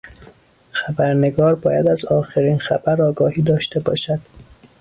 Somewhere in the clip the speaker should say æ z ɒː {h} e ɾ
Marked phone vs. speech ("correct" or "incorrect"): incorrect